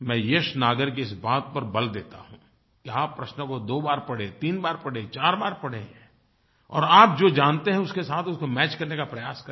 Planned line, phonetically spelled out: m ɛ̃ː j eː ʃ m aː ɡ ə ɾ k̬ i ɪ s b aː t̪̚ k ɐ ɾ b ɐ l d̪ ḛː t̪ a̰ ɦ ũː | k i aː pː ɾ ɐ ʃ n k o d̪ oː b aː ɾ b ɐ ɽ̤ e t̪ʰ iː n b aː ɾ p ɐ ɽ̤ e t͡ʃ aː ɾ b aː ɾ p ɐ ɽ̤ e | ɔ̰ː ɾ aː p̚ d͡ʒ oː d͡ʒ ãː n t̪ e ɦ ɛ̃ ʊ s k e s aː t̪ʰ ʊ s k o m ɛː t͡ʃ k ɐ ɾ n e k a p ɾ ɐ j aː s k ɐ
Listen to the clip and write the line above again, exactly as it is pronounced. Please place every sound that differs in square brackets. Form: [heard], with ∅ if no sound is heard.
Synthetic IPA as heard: m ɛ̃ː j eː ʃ [n] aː ɡ ə ɾ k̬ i ɪ s b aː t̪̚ [p] ɐ ɾ b ɐ l d̪ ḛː t̪ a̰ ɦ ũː | k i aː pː ɾ ɐ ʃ n k o d̪ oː b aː ɾ [p] ɐ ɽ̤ e [t̪] iː n b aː ɾ p ɐ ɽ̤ e t͡ʃ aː ɾ b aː ɾ p ɐ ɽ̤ e | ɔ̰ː ɾ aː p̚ d͡ʒ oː d͡ʒ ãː n t̪ e ɦ ɛ̃ ʊ s k e s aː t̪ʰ ʊ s k o m ɛː t͡ʃ k ɐ ɾ n e k a p ɾ ɐ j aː s k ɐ